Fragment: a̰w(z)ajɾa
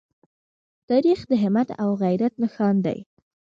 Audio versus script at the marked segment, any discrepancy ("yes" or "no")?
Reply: yes